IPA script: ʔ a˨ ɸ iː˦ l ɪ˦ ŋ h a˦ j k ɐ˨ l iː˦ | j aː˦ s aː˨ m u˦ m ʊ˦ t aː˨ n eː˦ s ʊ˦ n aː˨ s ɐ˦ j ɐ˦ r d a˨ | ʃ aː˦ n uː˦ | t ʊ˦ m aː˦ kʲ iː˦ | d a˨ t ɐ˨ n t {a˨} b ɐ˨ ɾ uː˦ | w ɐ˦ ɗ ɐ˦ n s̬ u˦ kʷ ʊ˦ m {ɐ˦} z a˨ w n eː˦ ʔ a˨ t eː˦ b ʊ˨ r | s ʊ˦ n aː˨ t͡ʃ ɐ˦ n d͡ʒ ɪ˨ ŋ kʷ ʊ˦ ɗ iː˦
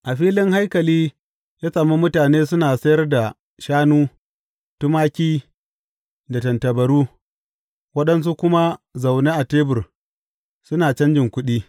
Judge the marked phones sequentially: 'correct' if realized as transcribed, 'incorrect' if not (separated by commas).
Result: incorrect, incorrect